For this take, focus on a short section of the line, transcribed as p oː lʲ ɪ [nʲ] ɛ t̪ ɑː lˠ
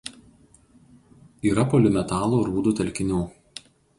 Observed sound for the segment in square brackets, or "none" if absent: mʲ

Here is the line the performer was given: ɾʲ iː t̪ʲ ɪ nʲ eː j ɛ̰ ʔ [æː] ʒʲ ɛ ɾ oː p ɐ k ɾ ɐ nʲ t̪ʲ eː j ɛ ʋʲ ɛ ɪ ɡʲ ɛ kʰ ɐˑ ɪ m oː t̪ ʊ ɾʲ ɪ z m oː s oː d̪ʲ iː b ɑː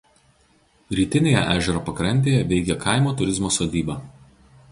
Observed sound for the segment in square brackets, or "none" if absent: æː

